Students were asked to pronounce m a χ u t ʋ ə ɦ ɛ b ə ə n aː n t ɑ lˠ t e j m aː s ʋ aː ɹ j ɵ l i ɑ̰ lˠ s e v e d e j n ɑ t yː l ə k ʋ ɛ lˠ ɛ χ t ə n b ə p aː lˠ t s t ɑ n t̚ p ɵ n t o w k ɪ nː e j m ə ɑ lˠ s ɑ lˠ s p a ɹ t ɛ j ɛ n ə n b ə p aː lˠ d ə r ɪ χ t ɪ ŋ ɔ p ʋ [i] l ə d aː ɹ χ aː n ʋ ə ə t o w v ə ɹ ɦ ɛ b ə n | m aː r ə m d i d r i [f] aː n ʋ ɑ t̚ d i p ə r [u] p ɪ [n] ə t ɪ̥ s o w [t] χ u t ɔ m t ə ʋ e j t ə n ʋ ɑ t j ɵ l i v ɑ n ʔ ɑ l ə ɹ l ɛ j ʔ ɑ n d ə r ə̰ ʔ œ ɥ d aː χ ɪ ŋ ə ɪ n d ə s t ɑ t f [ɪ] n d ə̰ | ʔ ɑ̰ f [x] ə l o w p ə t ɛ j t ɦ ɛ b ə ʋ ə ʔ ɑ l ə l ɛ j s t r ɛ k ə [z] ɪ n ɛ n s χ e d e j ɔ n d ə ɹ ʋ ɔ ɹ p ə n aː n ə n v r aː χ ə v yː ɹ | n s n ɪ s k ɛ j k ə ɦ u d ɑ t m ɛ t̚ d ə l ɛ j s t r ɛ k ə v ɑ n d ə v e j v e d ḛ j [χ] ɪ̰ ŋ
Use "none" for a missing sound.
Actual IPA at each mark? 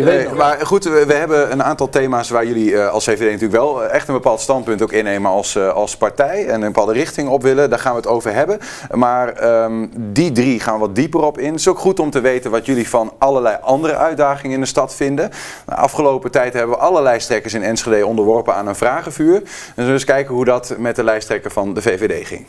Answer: ɪ, χ, ɔ, n, k, ɪ, χ, s, χ

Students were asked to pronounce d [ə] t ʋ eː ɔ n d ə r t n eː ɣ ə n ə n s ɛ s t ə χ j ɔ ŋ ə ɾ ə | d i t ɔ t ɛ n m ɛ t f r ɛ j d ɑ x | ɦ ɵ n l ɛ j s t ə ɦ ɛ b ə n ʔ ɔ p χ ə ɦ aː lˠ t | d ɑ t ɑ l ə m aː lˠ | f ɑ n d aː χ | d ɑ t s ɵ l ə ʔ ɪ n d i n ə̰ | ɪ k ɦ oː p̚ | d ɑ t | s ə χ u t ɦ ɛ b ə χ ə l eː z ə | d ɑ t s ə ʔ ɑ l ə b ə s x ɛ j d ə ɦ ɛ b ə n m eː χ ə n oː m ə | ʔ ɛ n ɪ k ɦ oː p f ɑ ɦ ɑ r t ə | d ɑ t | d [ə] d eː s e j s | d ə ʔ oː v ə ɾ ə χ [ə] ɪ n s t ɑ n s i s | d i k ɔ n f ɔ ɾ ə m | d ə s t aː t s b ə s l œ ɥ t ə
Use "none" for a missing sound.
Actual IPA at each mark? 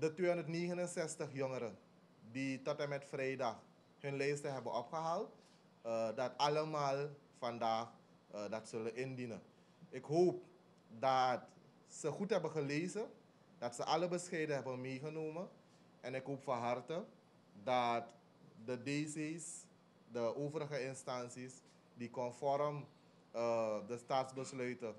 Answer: ə, ə, ə

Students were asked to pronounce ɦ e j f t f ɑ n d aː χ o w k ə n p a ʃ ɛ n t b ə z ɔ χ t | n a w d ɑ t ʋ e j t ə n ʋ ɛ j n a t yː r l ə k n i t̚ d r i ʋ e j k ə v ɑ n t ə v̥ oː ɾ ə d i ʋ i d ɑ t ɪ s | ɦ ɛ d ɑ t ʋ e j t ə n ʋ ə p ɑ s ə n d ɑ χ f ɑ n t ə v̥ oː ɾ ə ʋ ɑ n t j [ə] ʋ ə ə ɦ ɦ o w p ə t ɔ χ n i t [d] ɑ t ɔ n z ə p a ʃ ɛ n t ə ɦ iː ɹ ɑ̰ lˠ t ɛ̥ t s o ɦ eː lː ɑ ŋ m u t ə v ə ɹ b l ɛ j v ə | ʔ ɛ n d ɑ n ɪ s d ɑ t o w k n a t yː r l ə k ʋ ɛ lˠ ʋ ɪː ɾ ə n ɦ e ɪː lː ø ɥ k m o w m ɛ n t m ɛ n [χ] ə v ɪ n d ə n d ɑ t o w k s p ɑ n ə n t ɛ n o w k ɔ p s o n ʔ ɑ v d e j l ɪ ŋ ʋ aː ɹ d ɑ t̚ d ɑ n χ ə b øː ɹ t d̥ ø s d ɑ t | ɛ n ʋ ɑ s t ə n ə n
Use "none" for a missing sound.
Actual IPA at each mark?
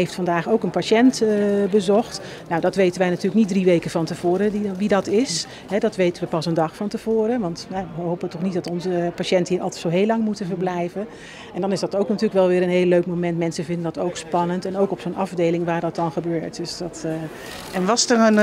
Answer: a, d, s

